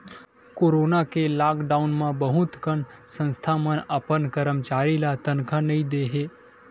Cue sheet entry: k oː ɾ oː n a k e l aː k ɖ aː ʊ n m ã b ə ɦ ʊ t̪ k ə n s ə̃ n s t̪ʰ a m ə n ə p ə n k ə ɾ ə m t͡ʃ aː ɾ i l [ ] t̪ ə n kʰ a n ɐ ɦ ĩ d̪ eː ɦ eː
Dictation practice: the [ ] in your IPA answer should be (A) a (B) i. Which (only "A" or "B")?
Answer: A